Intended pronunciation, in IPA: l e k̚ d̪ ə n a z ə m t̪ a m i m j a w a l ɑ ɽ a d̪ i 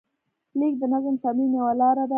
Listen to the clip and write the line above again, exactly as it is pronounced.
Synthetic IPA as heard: l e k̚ d̪ ə n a z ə m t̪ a m i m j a w a l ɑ ɾ a d̪ a